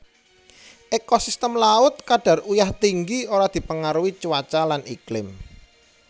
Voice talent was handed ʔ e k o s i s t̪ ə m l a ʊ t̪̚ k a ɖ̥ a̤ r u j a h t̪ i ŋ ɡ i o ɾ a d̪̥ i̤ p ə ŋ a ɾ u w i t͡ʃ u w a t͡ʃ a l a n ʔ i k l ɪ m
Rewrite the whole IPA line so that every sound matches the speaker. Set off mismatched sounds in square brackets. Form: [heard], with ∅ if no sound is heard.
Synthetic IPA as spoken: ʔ e k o s i s t̪ ə m l a ʊ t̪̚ k a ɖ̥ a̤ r u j a h t̪ i ŋ ɡ i o ɾ a d̪̥ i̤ p ə ŋ a ɾ u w i t͡ʃ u w a t͡ʃ a l a n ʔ i k l ɪ m